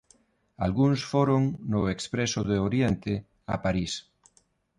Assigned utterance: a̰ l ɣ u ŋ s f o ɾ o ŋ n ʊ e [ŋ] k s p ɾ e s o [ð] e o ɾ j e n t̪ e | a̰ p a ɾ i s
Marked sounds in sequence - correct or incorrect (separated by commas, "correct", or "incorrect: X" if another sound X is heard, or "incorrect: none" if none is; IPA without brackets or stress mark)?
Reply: incorrect: none, correct